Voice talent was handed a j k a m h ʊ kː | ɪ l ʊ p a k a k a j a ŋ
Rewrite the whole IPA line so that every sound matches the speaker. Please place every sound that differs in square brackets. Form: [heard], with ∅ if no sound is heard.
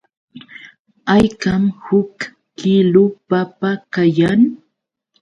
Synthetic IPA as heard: a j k a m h ʊ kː | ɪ l ʊ p a [p] a k a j a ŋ